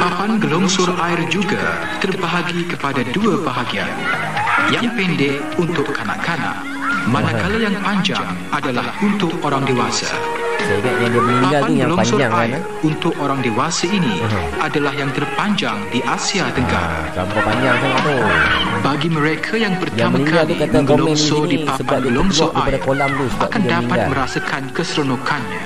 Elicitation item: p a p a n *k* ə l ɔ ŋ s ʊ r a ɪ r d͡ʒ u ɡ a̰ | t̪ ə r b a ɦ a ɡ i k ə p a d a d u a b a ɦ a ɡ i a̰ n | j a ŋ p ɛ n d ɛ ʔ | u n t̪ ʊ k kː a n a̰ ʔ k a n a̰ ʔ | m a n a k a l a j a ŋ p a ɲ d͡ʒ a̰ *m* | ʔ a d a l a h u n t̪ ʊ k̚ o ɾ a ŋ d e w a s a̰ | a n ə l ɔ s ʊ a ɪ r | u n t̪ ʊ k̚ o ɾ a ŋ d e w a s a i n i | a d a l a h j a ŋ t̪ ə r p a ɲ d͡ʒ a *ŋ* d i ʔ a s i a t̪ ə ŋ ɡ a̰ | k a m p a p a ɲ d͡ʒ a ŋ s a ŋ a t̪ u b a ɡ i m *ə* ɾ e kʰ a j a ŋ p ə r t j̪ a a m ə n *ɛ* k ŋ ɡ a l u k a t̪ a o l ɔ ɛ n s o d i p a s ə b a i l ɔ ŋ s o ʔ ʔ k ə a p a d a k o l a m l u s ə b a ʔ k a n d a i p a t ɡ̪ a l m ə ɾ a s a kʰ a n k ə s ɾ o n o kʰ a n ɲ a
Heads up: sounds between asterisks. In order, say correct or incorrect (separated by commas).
incorrect, incorrect, correct, correct, incorrect